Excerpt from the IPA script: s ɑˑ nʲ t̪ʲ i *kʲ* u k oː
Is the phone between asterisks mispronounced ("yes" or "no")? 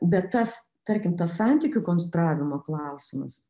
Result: no